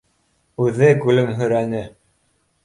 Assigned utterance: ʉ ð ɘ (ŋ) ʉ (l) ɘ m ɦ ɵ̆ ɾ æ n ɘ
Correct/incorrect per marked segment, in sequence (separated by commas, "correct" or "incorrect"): incorrect, correct